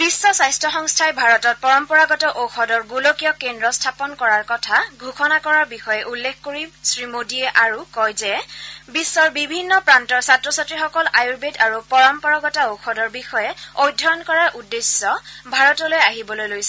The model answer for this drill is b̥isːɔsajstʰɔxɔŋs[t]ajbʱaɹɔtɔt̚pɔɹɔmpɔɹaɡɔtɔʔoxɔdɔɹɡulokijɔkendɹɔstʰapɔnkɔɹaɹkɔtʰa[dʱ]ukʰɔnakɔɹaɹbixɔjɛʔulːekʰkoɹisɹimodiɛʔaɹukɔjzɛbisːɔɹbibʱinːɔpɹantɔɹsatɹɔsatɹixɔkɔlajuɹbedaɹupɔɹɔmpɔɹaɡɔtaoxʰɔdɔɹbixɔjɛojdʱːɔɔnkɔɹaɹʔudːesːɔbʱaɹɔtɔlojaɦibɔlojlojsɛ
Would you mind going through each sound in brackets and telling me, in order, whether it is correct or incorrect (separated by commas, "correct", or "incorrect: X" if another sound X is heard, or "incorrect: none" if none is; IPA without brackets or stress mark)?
incorrect: tʰ, incorrect: ɡʱ